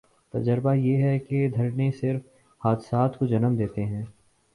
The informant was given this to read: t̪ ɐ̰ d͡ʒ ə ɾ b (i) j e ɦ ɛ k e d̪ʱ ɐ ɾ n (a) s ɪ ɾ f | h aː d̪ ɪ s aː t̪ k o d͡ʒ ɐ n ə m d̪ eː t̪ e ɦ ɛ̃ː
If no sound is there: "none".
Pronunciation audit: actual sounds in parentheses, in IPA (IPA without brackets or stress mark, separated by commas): a, e